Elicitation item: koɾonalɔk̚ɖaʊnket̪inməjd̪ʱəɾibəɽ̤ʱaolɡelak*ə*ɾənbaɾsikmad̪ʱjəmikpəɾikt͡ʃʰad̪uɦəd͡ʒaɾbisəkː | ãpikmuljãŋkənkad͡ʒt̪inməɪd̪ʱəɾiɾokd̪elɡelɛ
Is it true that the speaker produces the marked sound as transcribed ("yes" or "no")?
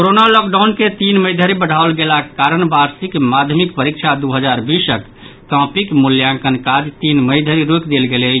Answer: no